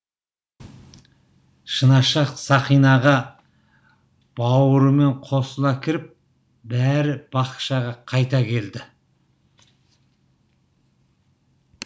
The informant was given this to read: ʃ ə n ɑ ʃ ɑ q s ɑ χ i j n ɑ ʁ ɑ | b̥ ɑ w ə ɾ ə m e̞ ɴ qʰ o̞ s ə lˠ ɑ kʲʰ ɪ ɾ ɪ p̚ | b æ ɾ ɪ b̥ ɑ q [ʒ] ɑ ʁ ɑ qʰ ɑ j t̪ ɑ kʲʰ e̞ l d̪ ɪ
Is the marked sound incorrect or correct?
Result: incorrect